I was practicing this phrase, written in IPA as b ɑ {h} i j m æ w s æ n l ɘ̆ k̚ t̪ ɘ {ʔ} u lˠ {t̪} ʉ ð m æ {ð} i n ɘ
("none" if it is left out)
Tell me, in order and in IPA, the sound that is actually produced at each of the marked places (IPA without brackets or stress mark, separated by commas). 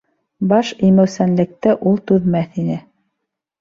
ʃ, ʔ, t̪, θ